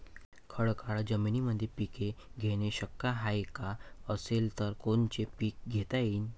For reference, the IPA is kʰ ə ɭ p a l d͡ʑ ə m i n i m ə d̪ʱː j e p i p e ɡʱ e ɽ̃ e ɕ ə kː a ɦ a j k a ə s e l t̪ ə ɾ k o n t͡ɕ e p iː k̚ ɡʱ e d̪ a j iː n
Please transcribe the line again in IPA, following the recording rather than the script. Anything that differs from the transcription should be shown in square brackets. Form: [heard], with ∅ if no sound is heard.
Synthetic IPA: kʰ ə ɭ [k] a [ɭ] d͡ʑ ə m i n i m ə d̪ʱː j e p i [k] e ɡʱ e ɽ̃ e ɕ ə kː a ɦ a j k a ə s e l t̪ ə ɾ k o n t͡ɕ e p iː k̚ ɡʱ e [t̪] a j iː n